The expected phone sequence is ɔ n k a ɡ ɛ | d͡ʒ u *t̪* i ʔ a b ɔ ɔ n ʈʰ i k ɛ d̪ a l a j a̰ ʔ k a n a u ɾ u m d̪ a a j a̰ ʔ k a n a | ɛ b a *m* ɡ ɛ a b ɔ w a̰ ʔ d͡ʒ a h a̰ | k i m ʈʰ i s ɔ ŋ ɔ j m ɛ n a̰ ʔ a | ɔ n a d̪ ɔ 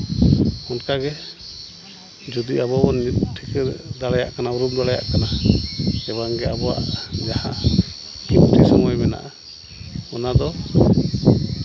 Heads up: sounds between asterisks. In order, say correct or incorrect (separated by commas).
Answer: incorrect, incorrect